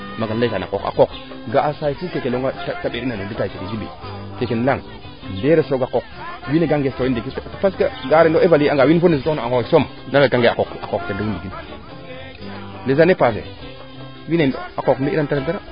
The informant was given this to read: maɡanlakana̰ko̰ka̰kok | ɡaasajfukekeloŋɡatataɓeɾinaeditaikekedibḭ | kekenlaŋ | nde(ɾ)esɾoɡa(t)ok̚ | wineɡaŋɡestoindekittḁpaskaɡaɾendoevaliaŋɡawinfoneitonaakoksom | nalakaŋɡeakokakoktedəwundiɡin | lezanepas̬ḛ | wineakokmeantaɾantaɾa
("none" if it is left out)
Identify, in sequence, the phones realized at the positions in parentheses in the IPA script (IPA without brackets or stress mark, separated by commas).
ɾ, k